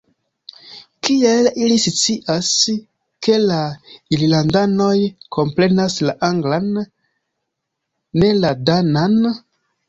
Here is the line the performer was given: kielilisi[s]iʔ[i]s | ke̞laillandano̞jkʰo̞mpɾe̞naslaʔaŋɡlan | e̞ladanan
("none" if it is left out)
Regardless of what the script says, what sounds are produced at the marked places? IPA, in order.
t͡s, a

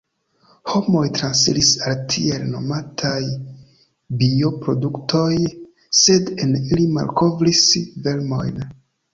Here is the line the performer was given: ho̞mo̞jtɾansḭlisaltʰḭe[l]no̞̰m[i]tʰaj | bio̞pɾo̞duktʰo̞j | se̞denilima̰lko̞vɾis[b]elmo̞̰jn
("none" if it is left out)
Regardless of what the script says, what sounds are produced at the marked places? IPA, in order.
l, a, v

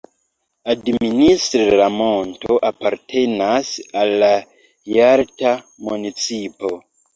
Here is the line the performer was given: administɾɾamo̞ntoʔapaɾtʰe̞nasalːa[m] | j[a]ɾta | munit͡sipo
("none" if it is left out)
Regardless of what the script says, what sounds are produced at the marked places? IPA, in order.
none, a

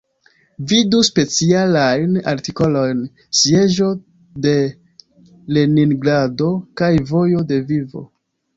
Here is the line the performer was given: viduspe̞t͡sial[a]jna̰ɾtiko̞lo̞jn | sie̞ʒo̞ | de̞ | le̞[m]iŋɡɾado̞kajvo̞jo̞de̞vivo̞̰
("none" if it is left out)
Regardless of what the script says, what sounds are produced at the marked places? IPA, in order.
a, n

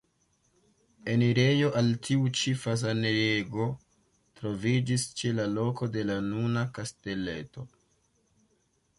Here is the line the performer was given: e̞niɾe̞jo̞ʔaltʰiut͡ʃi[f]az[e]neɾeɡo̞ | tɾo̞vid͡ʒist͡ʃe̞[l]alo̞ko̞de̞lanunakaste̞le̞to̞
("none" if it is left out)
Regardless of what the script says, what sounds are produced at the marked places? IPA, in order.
f, a, l

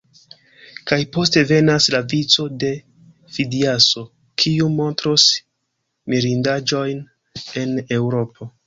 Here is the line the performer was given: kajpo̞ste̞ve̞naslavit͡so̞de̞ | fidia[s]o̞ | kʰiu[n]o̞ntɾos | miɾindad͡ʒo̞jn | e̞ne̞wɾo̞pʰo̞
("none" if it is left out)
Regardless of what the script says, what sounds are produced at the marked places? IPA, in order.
s, m

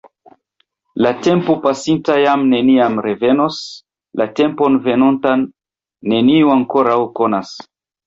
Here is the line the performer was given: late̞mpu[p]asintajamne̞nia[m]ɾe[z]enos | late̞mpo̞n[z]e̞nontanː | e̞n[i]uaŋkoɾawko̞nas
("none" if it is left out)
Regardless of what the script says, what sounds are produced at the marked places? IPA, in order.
p, m, v, v, i

